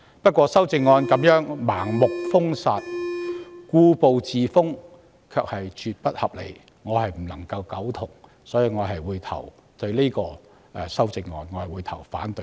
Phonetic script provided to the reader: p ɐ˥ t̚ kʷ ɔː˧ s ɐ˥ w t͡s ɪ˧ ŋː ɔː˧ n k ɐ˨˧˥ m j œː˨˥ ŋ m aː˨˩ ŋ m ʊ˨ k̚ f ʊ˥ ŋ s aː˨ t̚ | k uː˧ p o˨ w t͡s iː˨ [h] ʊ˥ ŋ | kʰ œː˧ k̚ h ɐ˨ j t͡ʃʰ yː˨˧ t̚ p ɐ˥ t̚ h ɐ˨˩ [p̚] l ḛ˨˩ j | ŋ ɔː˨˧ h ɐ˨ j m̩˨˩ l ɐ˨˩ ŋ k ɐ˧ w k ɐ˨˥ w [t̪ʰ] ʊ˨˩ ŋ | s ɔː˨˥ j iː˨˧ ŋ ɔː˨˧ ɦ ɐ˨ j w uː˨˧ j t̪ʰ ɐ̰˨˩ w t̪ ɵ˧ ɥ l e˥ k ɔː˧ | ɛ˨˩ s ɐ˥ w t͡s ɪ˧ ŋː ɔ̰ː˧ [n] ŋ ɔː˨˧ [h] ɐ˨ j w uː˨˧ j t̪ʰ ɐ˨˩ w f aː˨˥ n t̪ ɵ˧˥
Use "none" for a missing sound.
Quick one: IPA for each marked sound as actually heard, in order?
f, p̚, t̪ʰ, n, h

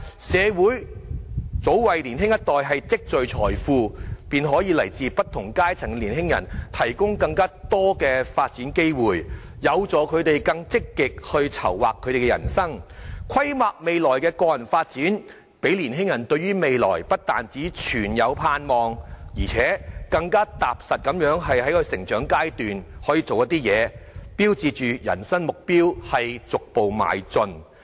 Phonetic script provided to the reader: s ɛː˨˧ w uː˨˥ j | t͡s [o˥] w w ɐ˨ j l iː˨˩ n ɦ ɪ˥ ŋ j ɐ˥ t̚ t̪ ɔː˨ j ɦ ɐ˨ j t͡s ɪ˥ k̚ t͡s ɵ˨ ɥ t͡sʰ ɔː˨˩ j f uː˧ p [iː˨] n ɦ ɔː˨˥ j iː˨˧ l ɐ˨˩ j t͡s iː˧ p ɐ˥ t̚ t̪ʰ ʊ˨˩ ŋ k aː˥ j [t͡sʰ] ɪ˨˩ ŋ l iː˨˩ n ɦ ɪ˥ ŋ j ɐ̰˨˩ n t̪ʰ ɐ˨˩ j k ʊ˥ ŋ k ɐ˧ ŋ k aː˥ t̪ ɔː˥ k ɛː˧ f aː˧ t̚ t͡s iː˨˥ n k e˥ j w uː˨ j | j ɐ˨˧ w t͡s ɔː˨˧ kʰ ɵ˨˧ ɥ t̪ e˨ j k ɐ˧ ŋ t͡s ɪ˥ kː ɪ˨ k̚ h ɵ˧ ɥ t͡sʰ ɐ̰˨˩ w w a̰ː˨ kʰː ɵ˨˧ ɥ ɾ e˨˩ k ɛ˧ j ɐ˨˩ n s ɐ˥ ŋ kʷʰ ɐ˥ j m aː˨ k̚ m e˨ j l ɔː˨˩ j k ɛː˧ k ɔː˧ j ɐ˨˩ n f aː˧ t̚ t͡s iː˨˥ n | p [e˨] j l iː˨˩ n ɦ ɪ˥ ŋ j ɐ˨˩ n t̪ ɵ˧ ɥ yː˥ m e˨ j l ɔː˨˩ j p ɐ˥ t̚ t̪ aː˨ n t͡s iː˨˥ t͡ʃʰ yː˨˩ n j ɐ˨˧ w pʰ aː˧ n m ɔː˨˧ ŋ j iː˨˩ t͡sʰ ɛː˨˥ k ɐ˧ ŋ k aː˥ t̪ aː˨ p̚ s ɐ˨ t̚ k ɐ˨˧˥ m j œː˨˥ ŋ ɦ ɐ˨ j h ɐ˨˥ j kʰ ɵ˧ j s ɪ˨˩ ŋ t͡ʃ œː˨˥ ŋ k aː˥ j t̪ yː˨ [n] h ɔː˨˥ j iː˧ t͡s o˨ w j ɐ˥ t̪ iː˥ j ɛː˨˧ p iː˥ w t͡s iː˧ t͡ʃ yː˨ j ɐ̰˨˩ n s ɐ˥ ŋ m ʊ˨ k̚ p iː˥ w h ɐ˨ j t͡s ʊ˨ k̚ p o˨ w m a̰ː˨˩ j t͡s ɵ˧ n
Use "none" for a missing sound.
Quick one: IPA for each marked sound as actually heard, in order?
o˨˥, iː˨, t͡sʰ, e˨˥, n

